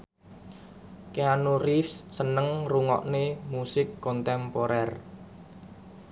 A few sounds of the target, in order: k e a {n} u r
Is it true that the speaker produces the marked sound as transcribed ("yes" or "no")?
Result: yes